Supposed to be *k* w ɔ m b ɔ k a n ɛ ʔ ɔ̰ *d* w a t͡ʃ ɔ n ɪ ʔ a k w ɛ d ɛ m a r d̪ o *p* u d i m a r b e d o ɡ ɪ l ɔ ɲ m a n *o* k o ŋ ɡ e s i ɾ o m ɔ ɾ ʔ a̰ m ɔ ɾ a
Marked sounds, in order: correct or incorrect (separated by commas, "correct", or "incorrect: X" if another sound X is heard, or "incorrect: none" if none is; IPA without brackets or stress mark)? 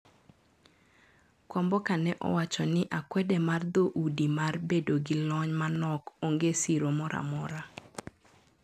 correct, incorrect: none, incorrect: ʔ, incorrect: ɔ